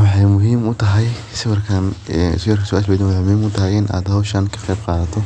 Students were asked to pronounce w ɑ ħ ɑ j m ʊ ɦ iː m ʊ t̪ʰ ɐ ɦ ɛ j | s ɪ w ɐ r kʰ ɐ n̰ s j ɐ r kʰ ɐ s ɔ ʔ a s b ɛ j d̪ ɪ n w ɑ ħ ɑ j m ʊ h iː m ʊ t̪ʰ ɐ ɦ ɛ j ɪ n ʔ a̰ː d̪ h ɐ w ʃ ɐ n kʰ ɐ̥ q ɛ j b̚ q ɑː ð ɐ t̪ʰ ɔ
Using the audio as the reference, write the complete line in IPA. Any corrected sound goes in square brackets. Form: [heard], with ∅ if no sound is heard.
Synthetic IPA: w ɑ ħ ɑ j m ʊ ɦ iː m ʊ t̪ʰ ɐ ɦ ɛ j | s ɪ w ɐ r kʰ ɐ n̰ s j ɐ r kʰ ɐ s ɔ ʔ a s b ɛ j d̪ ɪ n w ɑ ħ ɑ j m ʊ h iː m ʊ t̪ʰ ɐ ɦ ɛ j ɪ n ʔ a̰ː d̪ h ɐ w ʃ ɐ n kʰ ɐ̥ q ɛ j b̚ q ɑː ð ɐ t̪ʰ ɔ